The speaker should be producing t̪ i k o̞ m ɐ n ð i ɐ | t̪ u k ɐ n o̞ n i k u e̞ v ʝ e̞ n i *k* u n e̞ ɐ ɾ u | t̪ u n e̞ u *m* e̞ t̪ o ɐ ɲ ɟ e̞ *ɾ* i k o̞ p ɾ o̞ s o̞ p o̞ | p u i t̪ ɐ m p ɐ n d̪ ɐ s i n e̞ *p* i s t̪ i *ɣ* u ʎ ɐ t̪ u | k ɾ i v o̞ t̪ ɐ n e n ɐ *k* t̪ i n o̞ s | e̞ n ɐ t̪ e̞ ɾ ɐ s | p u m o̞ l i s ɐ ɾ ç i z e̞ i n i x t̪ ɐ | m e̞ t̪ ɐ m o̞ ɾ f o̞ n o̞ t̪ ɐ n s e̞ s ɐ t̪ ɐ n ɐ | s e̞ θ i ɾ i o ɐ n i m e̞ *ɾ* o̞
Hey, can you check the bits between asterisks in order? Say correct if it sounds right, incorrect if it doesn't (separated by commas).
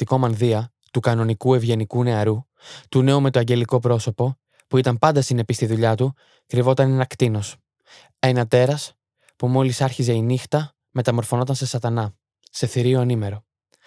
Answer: correct, correct, incorrect, correct, incorrect, correct, correct